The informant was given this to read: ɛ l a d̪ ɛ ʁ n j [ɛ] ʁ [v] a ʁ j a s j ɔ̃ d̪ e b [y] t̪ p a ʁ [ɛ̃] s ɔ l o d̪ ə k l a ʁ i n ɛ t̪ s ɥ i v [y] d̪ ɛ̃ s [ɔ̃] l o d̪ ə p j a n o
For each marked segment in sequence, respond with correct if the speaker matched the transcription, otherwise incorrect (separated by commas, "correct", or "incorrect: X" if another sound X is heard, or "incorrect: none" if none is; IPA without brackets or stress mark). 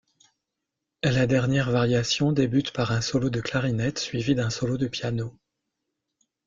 correct, correct, correct, correct, incorrect: i, incorrect: ɔ